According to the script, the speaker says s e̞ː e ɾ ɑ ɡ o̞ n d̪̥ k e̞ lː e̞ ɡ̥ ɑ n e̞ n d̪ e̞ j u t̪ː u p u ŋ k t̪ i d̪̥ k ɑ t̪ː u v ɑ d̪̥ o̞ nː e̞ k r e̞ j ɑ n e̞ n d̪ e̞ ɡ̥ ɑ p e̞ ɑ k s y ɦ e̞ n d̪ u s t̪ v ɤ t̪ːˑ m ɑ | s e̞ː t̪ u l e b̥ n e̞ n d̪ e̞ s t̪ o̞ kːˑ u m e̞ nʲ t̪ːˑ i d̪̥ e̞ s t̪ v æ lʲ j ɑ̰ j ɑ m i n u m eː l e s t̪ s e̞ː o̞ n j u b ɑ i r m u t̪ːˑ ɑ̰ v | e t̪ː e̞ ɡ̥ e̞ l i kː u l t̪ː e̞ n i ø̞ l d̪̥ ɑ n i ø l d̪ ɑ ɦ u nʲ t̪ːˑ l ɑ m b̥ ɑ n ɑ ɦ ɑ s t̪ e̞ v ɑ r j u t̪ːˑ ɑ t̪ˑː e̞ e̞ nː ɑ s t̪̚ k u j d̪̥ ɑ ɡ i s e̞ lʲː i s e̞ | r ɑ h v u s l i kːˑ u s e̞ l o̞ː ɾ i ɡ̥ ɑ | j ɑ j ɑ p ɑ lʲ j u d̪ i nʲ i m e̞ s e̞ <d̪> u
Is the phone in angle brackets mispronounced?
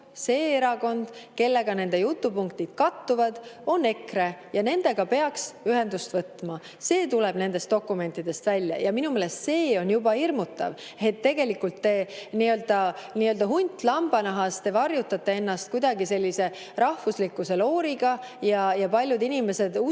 no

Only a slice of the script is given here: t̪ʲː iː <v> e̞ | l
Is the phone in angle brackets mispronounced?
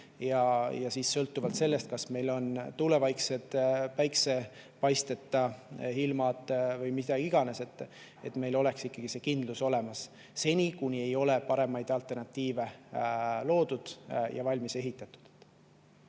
no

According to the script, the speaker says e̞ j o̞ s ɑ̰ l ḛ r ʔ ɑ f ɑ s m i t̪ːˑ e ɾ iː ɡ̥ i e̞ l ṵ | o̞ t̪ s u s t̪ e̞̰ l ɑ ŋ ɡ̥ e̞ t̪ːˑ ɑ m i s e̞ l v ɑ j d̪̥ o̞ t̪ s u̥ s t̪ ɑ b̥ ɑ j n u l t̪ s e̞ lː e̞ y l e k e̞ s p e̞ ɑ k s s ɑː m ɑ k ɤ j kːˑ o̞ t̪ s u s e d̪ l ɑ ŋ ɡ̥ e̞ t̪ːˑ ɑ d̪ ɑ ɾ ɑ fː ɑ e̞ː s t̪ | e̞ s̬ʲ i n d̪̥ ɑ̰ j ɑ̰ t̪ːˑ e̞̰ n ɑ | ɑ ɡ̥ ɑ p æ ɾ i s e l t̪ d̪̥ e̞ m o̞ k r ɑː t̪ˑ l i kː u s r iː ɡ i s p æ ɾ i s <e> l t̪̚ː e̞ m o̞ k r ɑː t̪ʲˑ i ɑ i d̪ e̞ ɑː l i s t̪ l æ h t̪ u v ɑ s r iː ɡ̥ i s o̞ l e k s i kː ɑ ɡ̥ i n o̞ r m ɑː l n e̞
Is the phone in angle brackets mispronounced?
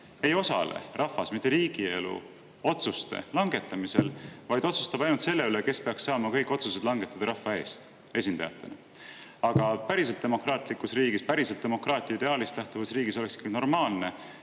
no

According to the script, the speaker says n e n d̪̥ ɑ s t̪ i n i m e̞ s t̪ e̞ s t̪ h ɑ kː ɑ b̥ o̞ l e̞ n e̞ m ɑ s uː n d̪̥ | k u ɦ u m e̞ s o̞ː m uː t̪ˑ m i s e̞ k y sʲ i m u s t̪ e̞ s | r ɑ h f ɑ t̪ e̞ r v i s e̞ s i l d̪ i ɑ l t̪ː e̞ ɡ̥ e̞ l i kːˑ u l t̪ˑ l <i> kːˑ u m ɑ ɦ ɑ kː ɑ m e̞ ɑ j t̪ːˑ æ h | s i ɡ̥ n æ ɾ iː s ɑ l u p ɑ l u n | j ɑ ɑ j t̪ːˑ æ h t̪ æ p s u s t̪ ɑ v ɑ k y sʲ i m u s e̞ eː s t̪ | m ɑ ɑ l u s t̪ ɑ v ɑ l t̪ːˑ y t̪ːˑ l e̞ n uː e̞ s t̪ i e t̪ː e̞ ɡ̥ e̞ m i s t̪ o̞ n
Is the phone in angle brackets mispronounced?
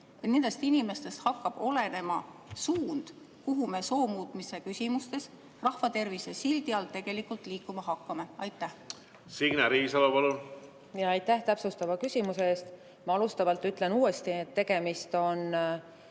yes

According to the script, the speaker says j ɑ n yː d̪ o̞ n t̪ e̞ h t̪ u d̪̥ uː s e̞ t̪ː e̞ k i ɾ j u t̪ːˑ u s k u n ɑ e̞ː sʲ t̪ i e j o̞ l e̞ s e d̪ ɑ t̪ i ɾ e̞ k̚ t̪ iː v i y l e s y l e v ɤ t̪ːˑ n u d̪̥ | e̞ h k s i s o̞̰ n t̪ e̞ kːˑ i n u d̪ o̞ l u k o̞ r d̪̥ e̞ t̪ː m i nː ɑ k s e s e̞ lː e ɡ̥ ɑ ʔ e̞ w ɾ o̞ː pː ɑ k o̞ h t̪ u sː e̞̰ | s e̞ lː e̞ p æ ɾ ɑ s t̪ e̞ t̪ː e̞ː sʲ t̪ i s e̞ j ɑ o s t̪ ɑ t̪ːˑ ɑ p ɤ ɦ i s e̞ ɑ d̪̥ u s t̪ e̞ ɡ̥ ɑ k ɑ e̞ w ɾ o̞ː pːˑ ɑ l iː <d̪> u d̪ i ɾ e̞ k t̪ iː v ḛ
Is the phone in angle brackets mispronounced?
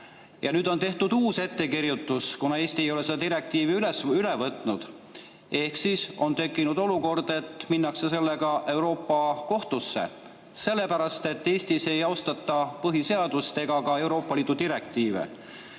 no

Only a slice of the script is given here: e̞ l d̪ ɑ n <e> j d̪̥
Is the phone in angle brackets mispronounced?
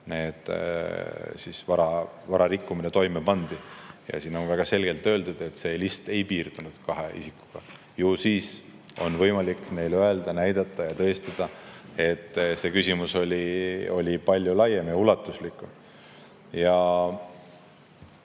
yes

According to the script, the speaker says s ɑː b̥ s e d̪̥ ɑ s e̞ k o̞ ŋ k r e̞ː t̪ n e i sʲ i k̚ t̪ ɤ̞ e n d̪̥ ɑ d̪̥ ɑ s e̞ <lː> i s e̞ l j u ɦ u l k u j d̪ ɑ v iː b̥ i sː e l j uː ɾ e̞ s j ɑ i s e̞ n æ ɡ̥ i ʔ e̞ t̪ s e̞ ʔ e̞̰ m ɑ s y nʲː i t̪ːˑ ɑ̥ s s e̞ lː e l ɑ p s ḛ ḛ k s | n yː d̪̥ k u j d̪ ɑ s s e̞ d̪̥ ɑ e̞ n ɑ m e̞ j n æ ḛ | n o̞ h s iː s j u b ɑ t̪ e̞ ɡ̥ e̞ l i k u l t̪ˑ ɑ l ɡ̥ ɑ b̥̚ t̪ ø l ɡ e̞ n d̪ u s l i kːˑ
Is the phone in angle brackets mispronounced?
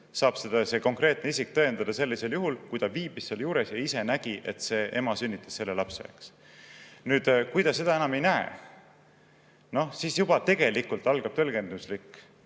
no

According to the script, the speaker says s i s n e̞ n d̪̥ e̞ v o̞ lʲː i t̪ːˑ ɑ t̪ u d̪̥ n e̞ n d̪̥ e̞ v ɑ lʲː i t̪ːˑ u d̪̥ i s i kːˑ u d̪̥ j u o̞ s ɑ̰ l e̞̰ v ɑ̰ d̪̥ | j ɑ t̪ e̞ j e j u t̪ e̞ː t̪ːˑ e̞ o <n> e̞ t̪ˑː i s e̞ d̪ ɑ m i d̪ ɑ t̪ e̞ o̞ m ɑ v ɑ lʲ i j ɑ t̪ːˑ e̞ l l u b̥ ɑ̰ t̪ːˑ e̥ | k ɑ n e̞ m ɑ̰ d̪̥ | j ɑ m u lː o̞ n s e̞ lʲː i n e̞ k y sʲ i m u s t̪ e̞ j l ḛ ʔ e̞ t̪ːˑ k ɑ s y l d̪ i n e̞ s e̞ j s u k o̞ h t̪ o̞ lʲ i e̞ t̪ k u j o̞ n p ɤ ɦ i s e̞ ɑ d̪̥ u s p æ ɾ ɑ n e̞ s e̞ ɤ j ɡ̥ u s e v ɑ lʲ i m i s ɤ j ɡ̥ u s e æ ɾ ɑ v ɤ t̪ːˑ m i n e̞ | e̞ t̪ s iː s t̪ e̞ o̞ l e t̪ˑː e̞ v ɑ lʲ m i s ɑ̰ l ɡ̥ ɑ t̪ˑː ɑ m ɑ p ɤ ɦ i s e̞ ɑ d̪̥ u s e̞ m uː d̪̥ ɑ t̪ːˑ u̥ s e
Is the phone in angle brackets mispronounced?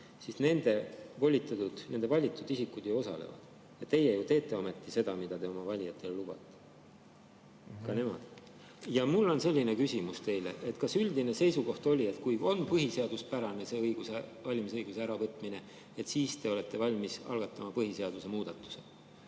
yes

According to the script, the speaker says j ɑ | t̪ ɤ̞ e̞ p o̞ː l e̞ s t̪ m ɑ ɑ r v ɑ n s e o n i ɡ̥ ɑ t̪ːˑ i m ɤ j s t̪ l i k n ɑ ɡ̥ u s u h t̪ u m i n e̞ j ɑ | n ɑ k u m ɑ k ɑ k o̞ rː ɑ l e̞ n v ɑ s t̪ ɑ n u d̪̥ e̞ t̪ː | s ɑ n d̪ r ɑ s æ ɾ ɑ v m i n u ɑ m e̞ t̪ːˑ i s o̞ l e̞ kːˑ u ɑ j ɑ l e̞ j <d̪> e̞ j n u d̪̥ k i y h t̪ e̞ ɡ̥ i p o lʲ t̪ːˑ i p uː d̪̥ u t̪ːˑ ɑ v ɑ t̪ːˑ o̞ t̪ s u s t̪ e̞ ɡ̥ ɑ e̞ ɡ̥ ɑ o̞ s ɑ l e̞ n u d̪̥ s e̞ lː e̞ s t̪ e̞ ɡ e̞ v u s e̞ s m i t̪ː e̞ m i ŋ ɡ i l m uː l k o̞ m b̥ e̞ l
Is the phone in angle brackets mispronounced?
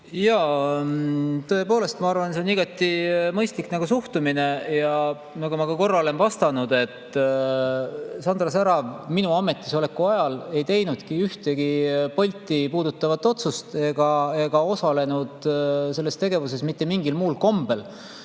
yes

